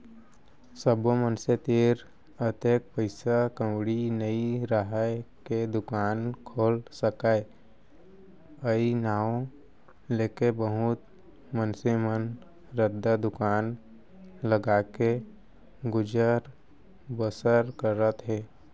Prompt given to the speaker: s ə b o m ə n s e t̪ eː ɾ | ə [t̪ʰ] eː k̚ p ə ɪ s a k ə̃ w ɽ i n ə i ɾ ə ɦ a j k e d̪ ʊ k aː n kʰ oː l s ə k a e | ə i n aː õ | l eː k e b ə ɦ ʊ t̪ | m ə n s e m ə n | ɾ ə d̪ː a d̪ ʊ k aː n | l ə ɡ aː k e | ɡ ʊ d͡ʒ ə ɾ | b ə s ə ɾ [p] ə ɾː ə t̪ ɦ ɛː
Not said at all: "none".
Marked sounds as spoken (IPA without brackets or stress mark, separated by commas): t̪, k